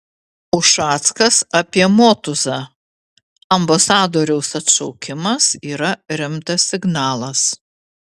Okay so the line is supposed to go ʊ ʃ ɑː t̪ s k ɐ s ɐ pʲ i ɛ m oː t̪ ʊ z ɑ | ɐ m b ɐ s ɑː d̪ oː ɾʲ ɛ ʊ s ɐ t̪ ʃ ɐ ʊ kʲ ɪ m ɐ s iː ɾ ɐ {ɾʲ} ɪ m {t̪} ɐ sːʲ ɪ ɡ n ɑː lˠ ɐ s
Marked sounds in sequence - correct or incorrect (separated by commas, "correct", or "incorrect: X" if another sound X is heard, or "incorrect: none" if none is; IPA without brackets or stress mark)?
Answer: correct, correct